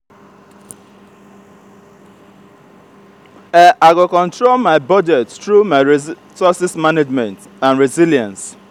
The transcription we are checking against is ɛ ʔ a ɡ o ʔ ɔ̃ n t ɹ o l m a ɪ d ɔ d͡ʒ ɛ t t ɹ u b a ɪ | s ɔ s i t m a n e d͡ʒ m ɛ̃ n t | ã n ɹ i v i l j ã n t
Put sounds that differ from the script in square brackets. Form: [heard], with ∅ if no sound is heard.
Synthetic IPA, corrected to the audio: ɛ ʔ a ɡ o [k] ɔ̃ n t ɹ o l m a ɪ [b] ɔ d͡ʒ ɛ t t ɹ u [m] a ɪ | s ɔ s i [s] m a n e d͡ʒ m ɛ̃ n t | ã n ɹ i [z] i l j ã n [s]